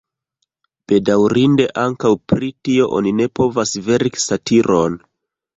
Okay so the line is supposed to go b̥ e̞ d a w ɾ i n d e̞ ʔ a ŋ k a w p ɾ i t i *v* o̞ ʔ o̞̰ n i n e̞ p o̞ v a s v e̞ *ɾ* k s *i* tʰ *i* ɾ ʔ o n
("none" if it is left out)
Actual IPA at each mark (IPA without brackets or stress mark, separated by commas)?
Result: none, ɾ, a, i